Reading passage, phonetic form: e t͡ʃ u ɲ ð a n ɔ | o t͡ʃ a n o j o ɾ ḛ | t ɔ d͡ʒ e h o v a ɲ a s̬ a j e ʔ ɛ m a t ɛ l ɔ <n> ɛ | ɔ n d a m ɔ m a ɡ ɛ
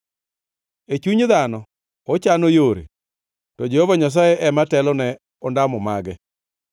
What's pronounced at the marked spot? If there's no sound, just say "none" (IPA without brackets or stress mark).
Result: n